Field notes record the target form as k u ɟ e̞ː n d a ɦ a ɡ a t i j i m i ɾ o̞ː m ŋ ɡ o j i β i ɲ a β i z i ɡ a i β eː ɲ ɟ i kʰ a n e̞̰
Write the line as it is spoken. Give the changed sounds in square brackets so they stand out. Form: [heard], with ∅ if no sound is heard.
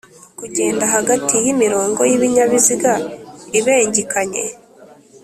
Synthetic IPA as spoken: k u ɟ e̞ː n d a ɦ a ɡ a t i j i m i ɾ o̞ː [∅] ŋ ɡ o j i β i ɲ a β i z i ɡ a i β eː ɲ ɟ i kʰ a [ɲ] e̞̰